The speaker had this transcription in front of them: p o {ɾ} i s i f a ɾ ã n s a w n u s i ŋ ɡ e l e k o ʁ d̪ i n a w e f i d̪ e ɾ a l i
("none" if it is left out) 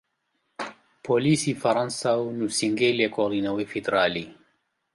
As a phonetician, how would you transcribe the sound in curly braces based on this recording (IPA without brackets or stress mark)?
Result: l